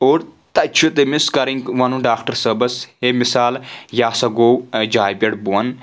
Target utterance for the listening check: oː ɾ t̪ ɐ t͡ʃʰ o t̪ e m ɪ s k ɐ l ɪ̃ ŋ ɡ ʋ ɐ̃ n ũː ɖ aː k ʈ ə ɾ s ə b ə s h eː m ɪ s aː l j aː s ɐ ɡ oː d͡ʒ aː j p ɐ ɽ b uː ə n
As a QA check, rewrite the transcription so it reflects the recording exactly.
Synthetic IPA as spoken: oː ɾ t̪ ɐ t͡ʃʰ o t̪ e m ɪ s k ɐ ɾ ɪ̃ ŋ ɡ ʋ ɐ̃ n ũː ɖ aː k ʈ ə ɾ s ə b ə s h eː m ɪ s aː l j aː s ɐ ɡ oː d͡ʒ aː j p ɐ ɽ b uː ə n